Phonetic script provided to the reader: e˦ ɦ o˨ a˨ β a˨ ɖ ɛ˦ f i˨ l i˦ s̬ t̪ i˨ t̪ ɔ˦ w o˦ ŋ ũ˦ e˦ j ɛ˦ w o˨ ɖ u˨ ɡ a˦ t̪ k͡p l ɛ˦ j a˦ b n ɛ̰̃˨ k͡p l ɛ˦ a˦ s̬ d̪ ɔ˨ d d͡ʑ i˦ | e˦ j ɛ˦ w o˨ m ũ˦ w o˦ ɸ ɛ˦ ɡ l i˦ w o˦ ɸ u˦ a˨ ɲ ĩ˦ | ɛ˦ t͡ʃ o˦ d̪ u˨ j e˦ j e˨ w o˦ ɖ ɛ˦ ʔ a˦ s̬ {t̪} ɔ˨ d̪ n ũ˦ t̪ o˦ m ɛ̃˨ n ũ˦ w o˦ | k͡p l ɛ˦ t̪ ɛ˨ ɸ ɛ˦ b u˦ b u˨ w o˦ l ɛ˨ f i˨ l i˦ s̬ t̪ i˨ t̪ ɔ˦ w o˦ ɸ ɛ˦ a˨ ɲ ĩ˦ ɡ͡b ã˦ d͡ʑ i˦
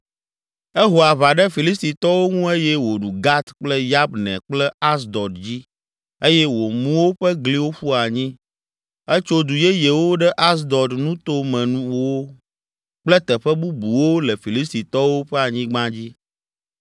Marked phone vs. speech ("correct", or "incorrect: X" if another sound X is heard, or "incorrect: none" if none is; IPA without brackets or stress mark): incorrect: d̪